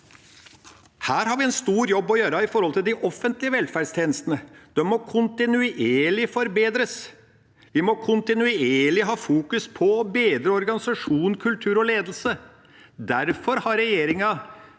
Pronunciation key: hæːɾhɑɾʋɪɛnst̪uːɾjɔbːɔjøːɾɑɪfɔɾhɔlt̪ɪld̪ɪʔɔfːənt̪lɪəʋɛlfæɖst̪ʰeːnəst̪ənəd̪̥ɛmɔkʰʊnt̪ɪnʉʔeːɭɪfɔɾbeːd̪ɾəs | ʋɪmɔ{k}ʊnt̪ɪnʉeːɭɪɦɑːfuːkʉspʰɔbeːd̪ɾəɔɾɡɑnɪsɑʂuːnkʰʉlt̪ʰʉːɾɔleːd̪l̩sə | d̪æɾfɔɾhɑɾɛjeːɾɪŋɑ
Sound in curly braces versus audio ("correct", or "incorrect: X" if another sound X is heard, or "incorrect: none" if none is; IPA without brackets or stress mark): incorrect: kʰ